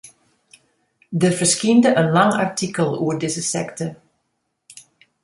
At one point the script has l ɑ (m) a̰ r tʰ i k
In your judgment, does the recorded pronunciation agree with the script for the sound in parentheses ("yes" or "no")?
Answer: no